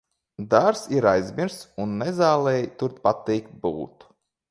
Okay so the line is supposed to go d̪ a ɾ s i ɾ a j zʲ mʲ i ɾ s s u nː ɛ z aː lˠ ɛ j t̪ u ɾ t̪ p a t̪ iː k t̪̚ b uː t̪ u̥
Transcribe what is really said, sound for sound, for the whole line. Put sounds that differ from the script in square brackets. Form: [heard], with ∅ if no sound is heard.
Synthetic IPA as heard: d̪ a ɾ s i ɾ a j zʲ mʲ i ɾ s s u nː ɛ z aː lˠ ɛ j t̪ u ɾ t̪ p a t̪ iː k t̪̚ b uː t̪ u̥